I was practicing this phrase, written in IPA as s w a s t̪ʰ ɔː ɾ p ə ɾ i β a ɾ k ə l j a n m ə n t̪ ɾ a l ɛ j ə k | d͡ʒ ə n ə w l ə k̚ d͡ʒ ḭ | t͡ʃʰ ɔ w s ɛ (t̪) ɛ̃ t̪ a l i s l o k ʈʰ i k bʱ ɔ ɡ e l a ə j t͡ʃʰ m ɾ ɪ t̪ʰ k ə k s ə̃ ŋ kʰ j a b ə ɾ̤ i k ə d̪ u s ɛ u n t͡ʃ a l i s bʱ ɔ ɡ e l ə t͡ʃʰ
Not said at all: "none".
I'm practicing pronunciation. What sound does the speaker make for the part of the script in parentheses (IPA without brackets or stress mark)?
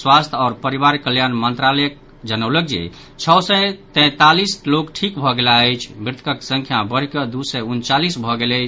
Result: t̪